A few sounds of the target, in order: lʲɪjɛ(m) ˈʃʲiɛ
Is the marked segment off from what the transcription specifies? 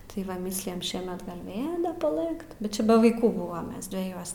no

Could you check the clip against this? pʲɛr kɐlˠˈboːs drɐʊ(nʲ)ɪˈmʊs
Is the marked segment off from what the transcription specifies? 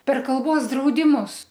yes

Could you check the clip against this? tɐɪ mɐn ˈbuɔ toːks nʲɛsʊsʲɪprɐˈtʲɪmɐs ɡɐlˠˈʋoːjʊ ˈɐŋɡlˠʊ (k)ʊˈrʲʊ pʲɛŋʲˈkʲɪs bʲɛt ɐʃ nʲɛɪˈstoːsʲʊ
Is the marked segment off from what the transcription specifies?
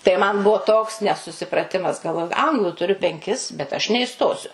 yes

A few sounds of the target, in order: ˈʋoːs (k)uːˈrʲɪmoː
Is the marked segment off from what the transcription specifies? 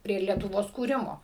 no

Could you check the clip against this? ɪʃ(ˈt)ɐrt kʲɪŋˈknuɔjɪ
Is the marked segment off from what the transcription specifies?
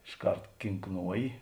yes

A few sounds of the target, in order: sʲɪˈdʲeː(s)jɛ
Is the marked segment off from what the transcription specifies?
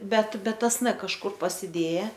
yes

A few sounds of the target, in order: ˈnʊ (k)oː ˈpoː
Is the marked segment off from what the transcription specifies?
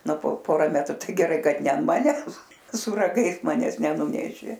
yes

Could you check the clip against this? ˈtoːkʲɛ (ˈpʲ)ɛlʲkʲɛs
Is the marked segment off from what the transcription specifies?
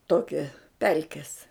no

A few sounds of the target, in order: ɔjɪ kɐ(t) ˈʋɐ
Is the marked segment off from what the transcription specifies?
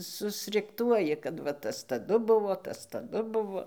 no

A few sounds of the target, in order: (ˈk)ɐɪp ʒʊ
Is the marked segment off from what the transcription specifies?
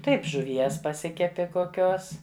yes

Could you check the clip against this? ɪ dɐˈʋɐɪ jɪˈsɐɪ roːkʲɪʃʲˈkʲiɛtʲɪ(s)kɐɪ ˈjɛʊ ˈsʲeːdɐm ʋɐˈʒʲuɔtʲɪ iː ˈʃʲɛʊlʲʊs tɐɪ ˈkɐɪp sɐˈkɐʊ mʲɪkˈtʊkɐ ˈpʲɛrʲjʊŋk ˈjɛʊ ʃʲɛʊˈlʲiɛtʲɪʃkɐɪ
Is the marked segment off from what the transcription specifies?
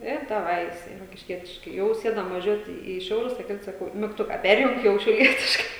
yes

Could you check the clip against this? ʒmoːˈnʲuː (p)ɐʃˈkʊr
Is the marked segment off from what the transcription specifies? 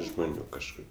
yes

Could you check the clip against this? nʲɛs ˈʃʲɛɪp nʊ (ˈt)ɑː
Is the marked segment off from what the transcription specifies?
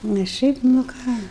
yes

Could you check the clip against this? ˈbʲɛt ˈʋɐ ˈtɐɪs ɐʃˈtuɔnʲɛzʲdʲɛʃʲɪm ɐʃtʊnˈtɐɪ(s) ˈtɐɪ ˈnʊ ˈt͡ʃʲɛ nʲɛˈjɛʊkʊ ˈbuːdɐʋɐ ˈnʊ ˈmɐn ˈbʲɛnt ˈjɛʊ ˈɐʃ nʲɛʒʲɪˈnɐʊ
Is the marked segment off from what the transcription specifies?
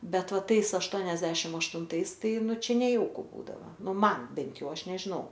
no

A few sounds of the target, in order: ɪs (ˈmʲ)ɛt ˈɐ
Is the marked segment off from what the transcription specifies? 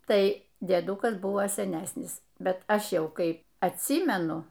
yes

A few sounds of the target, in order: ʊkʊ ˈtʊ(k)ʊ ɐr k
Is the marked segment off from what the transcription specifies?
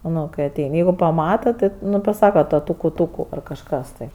no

